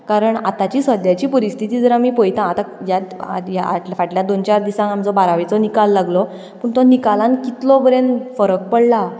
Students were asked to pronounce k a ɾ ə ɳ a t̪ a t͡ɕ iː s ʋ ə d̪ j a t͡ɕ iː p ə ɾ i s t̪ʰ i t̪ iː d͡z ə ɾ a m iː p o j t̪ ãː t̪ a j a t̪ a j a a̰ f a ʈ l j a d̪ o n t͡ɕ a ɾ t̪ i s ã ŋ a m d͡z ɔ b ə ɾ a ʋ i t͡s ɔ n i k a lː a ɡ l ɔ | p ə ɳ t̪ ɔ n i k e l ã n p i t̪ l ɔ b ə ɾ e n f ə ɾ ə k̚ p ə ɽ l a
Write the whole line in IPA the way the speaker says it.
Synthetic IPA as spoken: k a ɾ ə ɳ a t̪ a t͡ɕ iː s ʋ ə d̪ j a t͡ɕ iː p ə ɾ i s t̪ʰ i t̪ iː d͡z ə ɾ a m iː p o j t̪ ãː t̪ a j a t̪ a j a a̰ f a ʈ l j a d̪ o n t͡ɕ a ɾ d̪ i s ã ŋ a m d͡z ɔ b a ɾ a ʋ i t͡s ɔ n i k a lː a ɡ l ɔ | p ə ɳ t̪ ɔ n i k a l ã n k i t̪ l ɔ b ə ɾ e n f ə ɾ ə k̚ p ə ɽ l a